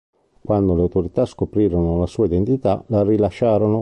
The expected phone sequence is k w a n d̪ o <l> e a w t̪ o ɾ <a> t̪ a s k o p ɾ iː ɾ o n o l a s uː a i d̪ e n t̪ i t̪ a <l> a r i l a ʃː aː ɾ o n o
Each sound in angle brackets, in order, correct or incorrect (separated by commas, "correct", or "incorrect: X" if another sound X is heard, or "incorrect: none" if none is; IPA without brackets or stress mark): correct, incorrect: i, correct